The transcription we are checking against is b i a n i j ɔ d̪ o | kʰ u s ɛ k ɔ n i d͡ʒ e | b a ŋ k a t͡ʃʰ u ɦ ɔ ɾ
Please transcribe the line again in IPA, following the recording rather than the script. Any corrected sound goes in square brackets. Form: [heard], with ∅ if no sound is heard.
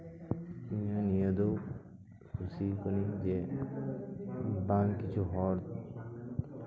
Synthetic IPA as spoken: [m] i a n i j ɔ d̪ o | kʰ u s [i] k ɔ n i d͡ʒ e | b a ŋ k [i] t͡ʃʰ u ɦ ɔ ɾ